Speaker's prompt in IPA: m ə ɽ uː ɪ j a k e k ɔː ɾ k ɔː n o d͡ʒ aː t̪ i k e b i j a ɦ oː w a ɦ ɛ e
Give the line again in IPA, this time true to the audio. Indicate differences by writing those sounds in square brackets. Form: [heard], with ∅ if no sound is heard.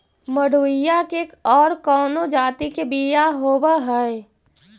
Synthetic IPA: m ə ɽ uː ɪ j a k e k ɔː ɾ k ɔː n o d͡ʒ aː t̪ i k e b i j a ɦ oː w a ɦ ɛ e